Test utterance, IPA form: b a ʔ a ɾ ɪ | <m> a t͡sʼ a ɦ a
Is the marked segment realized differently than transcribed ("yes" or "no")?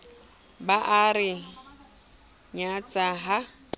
yes